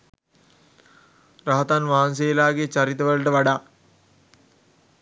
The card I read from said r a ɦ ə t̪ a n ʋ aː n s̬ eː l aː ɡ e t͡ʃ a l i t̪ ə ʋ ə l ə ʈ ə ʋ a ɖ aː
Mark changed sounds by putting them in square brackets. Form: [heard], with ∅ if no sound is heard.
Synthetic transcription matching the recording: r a ɦ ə t̪ a n ʋ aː n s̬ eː l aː ɡ e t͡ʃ a [ɾ] i t̪ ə ʋ ə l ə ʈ ə ʋ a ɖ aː